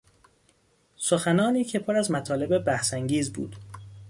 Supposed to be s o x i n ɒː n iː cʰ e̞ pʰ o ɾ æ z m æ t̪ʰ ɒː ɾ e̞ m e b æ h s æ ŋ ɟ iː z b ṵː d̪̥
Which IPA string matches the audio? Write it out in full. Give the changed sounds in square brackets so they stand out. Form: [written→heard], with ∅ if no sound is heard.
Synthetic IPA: s o x [i→æ] n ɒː n iː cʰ e̞ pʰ o ɾ æ z m æ t̪ʰ ɒː [ɾ→l] e̞ [m→b] e b æ h s æ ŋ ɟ iː z b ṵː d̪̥